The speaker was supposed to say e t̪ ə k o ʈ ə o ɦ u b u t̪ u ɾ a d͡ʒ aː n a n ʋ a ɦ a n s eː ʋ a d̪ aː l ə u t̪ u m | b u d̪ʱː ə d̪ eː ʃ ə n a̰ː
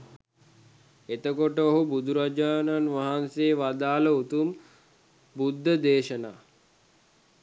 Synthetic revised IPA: e t̪ ə k o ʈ ə o ɦ u b u d̪ u ɾ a d͡ʒ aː n a n ʋ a ɦ a n s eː ʋ a d̪ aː l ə u t̪ u m | b u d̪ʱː ə d̪ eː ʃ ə n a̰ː